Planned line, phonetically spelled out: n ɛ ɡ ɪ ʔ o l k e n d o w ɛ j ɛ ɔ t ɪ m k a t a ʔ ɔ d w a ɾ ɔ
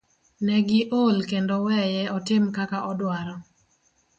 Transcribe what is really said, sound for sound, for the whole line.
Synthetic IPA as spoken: n ɛ ɡ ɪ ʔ o l k e n d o w ɛ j ɛ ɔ t ɪ m k a k a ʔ ɔ d w a ɾ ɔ